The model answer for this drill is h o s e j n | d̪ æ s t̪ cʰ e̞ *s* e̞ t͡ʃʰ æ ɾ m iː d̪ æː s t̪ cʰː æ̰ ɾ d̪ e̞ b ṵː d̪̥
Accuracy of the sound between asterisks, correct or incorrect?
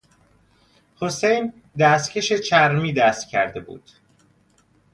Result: incorrect